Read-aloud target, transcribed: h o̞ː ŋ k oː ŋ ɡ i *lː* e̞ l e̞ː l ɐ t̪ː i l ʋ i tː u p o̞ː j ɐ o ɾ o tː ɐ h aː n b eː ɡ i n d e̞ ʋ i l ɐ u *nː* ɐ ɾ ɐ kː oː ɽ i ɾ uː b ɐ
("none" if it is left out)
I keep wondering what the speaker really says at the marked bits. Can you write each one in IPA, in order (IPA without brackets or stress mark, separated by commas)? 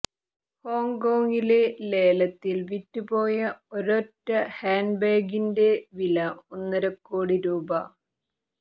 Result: l, nː